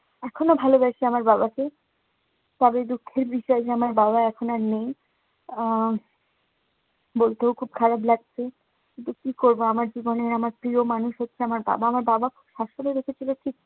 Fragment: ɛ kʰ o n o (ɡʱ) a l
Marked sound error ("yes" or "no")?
yes